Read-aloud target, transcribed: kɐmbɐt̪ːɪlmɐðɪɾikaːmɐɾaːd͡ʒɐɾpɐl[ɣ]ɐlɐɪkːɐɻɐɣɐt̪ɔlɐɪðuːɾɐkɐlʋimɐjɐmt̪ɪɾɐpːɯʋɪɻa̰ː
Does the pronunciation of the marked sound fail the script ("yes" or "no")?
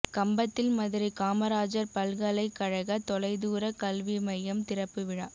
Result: no